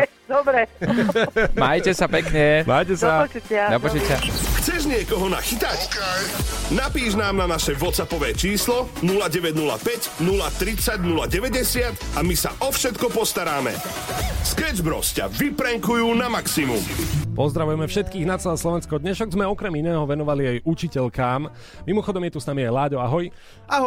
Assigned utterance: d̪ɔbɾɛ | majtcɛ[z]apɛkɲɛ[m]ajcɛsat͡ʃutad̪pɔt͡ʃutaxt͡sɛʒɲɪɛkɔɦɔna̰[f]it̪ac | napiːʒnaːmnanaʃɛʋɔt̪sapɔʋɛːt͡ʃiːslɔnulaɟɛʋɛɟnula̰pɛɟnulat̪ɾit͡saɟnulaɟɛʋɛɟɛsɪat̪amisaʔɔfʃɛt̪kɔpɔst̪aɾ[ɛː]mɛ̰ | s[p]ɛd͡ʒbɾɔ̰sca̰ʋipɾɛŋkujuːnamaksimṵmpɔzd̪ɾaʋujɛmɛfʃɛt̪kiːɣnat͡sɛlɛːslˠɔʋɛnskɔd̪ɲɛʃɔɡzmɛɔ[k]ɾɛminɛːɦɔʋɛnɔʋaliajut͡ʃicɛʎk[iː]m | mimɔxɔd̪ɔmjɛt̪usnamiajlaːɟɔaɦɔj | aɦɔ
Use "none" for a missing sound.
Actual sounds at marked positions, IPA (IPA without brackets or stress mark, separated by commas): s, m, x, aː, k, k, aː